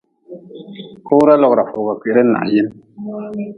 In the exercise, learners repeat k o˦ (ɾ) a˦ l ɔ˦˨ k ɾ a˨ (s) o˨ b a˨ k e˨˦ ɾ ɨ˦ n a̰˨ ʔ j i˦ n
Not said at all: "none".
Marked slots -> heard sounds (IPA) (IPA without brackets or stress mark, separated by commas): ɾ, f